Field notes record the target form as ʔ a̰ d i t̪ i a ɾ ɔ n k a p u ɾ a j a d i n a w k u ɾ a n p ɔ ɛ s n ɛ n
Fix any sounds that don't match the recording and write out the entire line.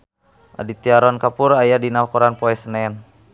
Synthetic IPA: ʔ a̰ d i t̪ i a ɾ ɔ n k a p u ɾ a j a d i n a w k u ɾ a n p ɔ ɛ s n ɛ n